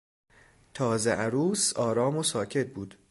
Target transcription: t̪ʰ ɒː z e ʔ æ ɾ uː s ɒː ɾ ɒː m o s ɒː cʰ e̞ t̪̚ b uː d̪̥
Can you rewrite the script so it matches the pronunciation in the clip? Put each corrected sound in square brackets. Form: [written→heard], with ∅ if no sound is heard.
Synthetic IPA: t̪ʰ ɒː z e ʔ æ ɾ uː s ɒː ɾ ɒː m o s ɒː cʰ e̞ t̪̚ b uː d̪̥